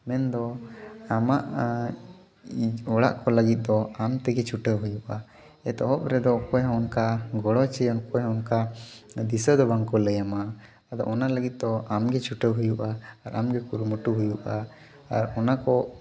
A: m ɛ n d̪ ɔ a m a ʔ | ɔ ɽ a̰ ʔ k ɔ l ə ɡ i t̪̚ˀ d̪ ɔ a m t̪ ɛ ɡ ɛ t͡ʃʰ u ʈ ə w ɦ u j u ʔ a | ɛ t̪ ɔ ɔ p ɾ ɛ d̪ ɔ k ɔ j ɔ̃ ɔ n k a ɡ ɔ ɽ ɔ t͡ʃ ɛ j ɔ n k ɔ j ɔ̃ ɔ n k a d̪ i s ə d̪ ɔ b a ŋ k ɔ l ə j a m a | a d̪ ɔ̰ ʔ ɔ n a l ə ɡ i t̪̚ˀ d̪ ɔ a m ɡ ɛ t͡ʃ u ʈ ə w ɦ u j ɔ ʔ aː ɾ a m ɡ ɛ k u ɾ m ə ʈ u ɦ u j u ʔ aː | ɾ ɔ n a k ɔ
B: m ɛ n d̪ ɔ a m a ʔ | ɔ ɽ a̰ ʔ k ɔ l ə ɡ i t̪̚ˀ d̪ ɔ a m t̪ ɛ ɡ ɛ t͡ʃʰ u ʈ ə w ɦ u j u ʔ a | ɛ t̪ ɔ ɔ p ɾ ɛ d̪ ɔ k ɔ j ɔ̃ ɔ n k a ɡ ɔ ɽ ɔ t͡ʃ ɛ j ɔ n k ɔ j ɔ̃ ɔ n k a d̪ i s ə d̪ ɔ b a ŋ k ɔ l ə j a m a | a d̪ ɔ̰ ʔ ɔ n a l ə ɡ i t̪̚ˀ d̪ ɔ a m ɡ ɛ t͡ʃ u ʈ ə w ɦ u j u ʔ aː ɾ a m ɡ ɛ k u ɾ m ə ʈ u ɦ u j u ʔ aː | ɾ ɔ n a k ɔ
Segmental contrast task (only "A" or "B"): B